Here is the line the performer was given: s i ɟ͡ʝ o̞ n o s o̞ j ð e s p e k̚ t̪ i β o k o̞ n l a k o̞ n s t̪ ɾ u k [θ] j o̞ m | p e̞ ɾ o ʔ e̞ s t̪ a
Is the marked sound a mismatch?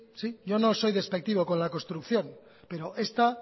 no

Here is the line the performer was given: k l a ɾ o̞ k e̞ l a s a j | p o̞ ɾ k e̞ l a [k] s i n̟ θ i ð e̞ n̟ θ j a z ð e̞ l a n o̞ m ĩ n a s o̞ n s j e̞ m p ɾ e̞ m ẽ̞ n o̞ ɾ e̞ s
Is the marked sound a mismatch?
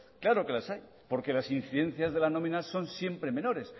yes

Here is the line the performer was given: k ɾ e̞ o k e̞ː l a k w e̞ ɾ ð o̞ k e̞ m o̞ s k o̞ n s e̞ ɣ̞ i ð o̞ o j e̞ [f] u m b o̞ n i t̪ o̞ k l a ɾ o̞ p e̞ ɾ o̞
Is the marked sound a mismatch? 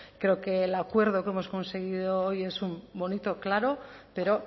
yes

